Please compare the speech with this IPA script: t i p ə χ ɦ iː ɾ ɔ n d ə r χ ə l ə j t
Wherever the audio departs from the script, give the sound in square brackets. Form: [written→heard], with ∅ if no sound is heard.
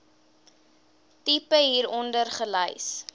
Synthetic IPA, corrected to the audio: t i p ə [χ→∅] ɦ iː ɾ ɔ n d ə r χ ə l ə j [t→s]